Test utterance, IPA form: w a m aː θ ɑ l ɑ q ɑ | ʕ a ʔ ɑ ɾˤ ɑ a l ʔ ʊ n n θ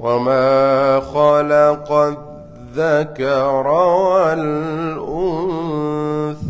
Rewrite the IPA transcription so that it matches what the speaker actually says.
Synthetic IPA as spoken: w a m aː x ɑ l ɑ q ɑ | ð a k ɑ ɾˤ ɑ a l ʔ ʊ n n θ